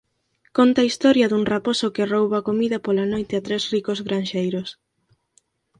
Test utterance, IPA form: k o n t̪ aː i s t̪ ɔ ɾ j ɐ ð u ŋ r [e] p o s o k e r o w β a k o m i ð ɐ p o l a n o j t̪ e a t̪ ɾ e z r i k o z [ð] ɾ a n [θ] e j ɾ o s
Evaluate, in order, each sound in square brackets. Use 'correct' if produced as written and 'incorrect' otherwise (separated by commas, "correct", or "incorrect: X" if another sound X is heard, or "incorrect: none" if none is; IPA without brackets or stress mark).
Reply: incorrect: a, incorrect: ɣ, incorrect: ʃ